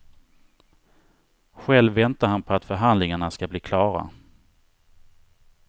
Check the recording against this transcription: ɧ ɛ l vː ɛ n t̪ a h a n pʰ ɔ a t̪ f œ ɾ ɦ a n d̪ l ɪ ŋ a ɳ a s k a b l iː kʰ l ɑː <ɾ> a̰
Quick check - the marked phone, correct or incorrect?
correct